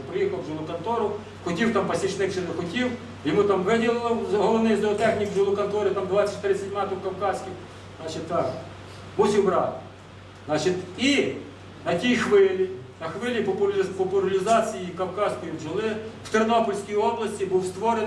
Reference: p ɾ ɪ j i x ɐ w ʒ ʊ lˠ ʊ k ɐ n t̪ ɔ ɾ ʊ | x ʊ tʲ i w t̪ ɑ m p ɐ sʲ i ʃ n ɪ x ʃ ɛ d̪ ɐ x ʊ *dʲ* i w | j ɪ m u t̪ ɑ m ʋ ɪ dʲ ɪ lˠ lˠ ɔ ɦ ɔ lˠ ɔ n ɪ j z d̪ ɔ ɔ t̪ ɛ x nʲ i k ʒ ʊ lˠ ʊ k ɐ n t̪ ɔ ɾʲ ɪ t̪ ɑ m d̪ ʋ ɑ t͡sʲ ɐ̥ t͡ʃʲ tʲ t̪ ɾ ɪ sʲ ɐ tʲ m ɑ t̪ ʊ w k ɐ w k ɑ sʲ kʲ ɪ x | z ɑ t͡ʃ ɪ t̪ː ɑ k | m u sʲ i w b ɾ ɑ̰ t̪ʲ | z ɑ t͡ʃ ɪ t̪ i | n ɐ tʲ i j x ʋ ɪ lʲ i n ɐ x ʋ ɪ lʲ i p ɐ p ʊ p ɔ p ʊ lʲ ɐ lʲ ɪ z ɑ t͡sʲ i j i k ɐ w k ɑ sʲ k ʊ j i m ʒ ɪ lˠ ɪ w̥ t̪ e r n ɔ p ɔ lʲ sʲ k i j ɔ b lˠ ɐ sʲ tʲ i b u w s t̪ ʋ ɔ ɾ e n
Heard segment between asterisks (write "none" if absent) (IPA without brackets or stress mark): tʲ